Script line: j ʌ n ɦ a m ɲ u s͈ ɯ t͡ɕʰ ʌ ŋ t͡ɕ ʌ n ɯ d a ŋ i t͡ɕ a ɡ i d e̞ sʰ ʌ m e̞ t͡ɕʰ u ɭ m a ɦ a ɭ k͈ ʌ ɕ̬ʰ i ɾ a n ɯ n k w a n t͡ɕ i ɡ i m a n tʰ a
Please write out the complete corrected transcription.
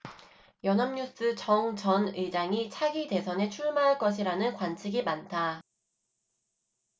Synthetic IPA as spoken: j ʌ n ɦ a m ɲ u s͈ ɯ t͡ɕ ʌ ŋ t͡ɕ ʌ n ɯ d͡ʑ a ŋ i t͡ɕʰ a ɡ i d e̞ sʰ ʌ n e̞ t͡ɕʰ u ɭ m a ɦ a ɭ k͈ ʌ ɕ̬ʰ i ɾ a n ɯ n k w a n t͡ɕʰ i ɡ i m a n tʰ a